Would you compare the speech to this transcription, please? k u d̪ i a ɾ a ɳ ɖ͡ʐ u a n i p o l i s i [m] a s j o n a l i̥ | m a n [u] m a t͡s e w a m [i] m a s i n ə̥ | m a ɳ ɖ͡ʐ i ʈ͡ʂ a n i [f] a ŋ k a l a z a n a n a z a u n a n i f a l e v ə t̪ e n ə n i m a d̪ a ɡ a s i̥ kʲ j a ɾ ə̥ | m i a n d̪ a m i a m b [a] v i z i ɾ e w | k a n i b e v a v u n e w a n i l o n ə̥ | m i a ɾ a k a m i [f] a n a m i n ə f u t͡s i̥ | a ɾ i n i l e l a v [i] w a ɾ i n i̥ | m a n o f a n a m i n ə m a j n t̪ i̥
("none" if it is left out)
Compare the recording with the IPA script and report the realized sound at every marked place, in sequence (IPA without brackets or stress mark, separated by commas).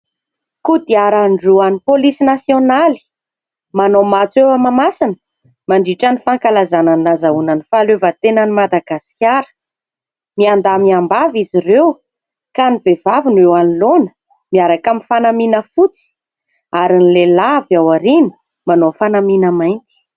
n, o, a, f, a, f, a